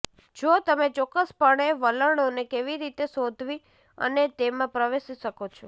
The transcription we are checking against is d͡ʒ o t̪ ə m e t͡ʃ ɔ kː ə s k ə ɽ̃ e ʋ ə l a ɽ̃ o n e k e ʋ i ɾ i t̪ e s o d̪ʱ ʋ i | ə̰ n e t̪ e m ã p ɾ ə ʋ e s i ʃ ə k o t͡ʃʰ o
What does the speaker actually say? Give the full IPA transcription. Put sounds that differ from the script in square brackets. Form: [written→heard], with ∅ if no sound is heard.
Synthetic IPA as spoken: d͡ʒ o t̪ ə m e t͡ʃ ɔ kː ə s [k→p] ə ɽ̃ e ʋ ə l [a→ə] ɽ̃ o n e k e ʋ i ɾ i t̪ e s o d̪ʱ ʋ i | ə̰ n e t̪ e m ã p ɾ ə ʋ e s i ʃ ə k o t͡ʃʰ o